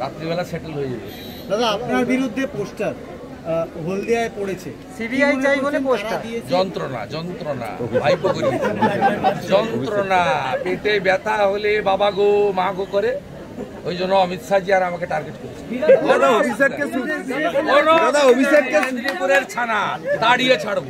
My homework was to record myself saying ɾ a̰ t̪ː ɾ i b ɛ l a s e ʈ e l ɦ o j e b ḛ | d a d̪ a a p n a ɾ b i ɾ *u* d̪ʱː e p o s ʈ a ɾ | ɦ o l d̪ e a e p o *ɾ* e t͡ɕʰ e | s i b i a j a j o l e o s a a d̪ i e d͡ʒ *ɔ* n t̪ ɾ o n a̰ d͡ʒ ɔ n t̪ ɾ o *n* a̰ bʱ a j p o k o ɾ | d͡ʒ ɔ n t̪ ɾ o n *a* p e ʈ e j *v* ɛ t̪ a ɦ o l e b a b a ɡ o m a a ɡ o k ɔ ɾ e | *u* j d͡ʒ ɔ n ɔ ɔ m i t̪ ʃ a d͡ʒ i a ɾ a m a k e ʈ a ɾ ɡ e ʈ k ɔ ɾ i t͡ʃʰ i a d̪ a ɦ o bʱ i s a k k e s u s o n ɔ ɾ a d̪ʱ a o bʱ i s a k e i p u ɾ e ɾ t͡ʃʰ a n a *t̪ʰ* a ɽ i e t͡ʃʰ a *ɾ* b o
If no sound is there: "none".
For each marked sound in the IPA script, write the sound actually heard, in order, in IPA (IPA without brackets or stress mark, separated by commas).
u, ɽ, ɔ, n, a, b, o, t̪, ɽ